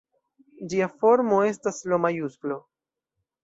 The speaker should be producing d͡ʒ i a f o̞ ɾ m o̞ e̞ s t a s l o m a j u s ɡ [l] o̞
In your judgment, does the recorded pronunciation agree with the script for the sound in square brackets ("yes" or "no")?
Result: yes